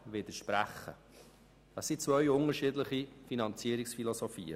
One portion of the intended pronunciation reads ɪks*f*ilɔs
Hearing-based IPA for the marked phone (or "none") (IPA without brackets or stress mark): f